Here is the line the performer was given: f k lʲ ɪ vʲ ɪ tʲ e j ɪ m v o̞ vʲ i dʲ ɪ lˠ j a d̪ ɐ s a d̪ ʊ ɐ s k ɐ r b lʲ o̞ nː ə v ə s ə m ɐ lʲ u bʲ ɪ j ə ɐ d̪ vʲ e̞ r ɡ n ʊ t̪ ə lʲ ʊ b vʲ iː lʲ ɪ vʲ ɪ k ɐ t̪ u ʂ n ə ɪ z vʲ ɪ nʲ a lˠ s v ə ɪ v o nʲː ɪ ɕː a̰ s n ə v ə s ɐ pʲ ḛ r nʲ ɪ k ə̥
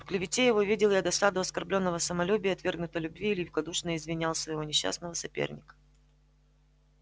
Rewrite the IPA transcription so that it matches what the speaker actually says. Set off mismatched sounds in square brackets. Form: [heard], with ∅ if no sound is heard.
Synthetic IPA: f k lʲ ɪ vʲ ɪ tʲ e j ɪ [∅] v o̞ vʲ i dʲ ɪ lˠ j a d̪ ɐ s a d̪ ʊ ɐ s k ɐ r b lʲ o̞ nː ə v ə s ə m ɐ lʲ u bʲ ɪ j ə ɐ [t̪] vʲ e̞ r ɡ n ʊ t̪ ə lʲ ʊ b vʲ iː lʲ ɪ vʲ ɪ k ɐ [d̪] u ʂ n ə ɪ z vʲ ɪ nʲ a lˠ s v ə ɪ v o [nʲ] ɪ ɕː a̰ s n ə v ə s ɐ pʲ ḛ r nʲ ɪ k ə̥